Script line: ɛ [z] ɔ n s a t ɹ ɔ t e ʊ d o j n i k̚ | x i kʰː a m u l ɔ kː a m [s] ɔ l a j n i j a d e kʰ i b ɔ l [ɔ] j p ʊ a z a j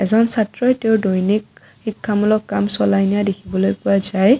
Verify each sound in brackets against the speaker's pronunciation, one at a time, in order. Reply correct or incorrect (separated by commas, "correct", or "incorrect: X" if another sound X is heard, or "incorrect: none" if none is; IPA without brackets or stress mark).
correct, correct, incorrect: o